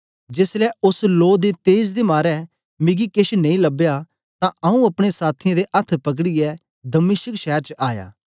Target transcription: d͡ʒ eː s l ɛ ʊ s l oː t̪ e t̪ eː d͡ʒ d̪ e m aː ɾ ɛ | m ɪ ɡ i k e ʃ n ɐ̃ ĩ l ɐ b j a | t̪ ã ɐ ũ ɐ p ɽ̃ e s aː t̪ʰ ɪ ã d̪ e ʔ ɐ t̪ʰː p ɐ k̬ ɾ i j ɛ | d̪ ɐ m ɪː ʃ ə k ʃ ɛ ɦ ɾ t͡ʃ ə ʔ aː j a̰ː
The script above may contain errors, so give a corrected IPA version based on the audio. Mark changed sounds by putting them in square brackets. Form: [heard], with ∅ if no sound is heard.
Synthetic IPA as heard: d͡ʒ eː s l ɛ ʊ s l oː [d̪] e t̪ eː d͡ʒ d̪ e m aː ɾ ɛ | m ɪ ɡ i k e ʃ n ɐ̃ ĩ l ɐ b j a | t̪ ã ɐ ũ ɐ p ɽ̃ e s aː t̪ʰ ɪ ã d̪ e ʔ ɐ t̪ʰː p ɐ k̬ [ɽ] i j ɛ | d̪ ɐ m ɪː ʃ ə k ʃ ɛ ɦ ɾ t͡ʃ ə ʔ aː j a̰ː

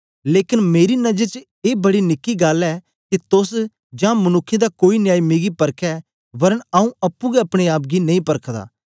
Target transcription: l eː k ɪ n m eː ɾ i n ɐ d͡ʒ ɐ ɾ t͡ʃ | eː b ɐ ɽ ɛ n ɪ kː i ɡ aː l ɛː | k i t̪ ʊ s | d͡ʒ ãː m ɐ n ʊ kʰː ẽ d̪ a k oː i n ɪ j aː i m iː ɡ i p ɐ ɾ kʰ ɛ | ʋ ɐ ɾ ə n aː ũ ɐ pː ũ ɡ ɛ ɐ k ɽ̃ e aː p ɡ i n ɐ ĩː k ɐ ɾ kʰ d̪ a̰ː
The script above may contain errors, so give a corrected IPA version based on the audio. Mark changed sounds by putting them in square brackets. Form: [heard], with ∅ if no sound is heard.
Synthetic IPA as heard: l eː k ɪ n m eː ɾ i n ɐ d͡ʒ [ə] ɾ t͡ʃ | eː b ɐ ɽ [i] n ɪ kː i ɡ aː l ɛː | k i t̪ ʊ s | d͡ʒ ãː m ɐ n ʊ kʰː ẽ d̪ a k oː i n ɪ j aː i m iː ɡ i p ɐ ɾ kʰ ɛ | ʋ ɐ ɾ ə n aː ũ ɐ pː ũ ɡ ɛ ɐ [p] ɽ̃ e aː p ɡ i n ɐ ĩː [p] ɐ ɾ kʰ d̪ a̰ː

